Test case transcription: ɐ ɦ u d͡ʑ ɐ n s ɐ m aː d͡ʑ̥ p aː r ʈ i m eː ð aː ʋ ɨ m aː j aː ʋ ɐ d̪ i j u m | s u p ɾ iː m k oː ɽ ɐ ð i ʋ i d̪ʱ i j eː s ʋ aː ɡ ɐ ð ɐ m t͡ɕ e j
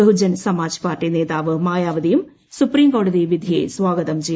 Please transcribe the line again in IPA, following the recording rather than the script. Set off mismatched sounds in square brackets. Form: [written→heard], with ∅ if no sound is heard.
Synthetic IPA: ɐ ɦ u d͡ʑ ɐ n s ɐ m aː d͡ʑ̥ p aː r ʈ i [m→n] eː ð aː ʋ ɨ m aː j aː ʋ ɐ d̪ i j u m | s u p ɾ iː m k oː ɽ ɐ ð i ʋ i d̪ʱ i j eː s ʋ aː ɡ ɐ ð ɐ m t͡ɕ e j

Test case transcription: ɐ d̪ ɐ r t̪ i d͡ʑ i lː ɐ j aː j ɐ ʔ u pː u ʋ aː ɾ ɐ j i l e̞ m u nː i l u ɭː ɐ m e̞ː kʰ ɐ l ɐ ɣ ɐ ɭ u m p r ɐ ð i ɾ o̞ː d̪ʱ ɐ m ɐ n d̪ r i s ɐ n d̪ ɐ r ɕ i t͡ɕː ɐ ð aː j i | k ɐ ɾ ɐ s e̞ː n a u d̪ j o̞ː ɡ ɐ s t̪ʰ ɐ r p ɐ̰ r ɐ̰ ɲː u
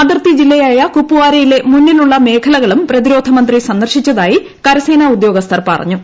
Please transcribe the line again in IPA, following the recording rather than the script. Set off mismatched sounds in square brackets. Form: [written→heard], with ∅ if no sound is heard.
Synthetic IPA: ɐ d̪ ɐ r t̪ i d͡ʑ i lː ɐ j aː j ɐ [ʔ→k] u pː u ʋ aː ɾ ɐ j i l e̞ m u nː i l u ɭː ɐ m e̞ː kʰ ɐ l ɐ ɣ ɐ ɭ u m p r ɐ ð i ɾ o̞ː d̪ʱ ɐ m ɐ n d̪ r i s ɐ n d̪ ɐ r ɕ i t͡ɕː ɐ ð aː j i | k ɐ ɾ ɐ s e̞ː n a u d̪ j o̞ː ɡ ɐ s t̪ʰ ɐ r p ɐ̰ r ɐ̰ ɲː u

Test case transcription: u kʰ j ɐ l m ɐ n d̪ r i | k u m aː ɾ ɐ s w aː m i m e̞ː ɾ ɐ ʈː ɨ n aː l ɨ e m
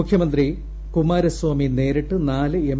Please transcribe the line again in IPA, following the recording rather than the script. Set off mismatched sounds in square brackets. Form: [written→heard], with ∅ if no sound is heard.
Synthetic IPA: u kʰ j ɐ [l→∅] m ɐ n d̪ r i | k u m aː ɾ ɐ s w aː m i [m→n] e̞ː ɾ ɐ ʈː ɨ n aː l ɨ e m

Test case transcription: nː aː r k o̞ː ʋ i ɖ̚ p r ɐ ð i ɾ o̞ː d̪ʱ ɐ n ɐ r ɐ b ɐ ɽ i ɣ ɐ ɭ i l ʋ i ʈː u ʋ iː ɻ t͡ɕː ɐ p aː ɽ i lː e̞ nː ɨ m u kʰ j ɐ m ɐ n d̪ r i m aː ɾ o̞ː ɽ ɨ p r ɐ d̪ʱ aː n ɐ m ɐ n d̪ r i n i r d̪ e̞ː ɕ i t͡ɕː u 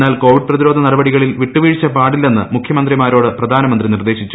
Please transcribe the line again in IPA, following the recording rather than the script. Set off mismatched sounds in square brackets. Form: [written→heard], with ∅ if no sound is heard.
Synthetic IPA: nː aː [r→l] k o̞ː ʋ i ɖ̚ p r ɐ ð i ɾ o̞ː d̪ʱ ɐ n ɐ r ɐ b ɐ ɽ i ɣ ɐ ɭ i l ʋ i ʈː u ʋ iː ɻ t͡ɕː ɐ p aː ɽ i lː e̞ nː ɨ m u kʰ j ɐ m ɐ n d̪ r i m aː ɾ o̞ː ɽ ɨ p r ɐ d̪ʱ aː n ɐ m ɐ n d̪ r i n i r d̪ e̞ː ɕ i t͡ɕː u

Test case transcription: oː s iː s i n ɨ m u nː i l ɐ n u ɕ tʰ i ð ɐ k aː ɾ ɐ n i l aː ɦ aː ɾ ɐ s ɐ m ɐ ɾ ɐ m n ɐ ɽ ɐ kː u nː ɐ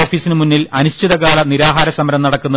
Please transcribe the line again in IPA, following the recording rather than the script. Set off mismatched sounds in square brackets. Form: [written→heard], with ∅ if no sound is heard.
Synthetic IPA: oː [s→f] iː s i n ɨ m u nː i l ɐ n u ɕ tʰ i ð ɐ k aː [ɾ→ɭ] ɐ n i [l→ɾ] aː ɦ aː ɾ ɐ s ɐ m ɐ ɾ ɐ m n ɐ ɽ ɐ kː u nː ɐ

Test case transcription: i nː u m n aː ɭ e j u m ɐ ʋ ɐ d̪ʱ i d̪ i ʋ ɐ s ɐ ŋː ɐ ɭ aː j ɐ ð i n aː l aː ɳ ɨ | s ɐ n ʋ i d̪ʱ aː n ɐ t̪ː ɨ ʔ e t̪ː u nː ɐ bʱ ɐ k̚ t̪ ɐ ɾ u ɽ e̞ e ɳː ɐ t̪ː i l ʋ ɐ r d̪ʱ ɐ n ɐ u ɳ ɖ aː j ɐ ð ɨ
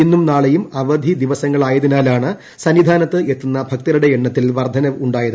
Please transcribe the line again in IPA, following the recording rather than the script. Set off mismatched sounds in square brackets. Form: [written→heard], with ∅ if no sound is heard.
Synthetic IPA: i nː u m n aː ɭ e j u m ɐ ʋ ɐ d̪ʱ i d̪ i ʋ ɐ s ɐ ŋː ɐ ɭ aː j ɐ ð i n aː l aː ɳ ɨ | s ɐ n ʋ i d̪ʱ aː n ɐ t̪ː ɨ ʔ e t̪ː u nː ɐ bʱ ɐ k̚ t̪ ɐ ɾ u ɽ e̞ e ɳː ɐ t̪ː i l ʋ ɐ r d̪ʱ ɐ n ɐ u ɳ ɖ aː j ɐ ð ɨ

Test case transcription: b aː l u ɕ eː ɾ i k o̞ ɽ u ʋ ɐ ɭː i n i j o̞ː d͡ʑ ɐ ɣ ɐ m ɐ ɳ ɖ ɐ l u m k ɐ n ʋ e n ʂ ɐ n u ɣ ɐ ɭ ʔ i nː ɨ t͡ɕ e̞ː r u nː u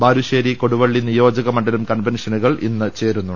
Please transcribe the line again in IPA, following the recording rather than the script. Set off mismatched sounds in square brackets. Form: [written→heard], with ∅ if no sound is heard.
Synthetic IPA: b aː [l→ɾ] u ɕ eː ɾ i k o̞ ɽ u ʋ ɐ ɭː i n i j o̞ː d͡ʑ ɐ ɣ ɐ m ɐ ɳ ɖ ɐ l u m k ɐ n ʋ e n ʂ ɐ n u ɣ ɐ ɭ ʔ i nː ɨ t͡ɕ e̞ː [r→ɾ] u nː u

